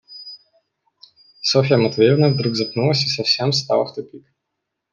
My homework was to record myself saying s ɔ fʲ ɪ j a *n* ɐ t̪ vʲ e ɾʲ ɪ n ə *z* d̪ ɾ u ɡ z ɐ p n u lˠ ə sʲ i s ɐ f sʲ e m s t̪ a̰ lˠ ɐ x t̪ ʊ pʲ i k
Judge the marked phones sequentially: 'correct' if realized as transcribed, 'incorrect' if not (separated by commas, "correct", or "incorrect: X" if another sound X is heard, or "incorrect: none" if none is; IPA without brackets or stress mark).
incorrect: m, incorrect: v